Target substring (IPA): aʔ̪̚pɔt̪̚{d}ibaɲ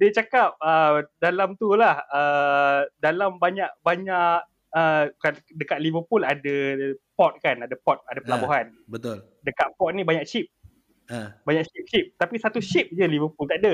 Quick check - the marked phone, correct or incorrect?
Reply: incorrect